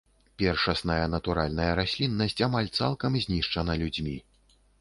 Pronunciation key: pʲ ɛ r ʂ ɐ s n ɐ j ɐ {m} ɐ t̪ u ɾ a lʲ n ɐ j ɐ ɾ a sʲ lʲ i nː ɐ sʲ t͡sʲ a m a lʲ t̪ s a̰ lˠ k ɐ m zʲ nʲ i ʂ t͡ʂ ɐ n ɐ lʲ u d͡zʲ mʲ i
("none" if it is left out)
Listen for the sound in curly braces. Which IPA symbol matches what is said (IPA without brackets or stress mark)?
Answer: n